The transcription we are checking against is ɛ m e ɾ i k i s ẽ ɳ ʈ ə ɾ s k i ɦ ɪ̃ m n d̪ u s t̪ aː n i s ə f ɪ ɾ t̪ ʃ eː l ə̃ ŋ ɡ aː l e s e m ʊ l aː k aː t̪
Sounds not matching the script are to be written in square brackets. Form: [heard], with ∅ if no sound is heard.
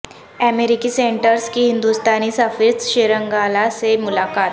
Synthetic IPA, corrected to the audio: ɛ m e ɾ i k i s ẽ ɳ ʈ ə ɾ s k i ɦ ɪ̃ [∅] n d̪ u s t̪ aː n i s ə f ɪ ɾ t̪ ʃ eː [ɾ] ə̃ ŋ ɡ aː l [a] s e m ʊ l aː k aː t̪

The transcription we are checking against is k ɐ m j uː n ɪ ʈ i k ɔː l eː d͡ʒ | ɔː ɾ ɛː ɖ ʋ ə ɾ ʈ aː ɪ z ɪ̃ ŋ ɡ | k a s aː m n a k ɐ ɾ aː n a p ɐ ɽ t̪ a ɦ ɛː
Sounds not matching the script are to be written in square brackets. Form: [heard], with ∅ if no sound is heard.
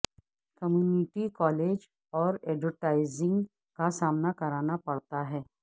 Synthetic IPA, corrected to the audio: k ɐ m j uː n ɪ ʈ i k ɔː l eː d͡ʒ | ɔː ɾ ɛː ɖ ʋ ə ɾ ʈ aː ɪ z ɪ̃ ŋ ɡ | k a s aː m n a k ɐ ɾ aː n a p ɐ ɽ t̪ a ɦ ɛː

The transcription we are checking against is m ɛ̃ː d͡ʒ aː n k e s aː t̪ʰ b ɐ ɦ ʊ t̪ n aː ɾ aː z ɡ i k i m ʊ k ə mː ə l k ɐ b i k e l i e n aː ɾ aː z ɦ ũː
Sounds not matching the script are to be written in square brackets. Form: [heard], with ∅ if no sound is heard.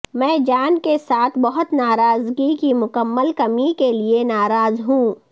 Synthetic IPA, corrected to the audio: m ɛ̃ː d͡ʒ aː n k e s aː t̪ʰ b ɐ ɦ ʊ t̪ n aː ɾ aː z ɡ i k i m ʊ k ə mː ə l k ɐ [m] i k e l i e n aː ɾ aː z ɦ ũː

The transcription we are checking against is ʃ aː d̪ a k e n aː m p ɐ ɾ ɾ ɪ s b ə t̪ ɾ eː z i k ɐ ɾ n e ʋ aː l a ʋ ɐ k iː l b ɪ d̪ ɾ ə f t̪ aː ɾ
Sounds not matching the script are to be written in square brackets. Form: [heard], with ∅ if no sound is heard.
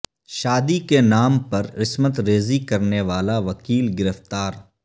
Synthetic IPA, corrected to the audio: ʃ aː d̪ [i] k e n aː m p ɐ ɾ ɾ ɪ s [m] ə t̪ ɾ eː z i k ɐ ɾ n e ʋ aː l a ʋ ɐ k iː l [ɡ] ɪ [∅] ɾ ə f t̪ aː ɾ

